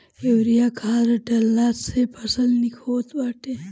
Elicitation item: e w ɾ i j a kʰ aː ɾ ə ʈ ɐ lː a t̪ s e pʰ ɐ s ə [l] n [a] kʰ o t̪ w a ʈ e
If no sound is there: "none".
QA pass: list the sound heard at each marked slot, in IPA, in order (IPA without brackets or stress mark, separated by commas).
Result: l, i